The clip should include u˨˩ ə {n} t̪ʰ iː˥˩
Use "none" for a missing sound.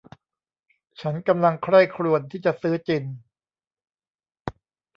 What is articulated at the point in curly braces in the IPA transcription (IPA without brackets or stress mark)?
n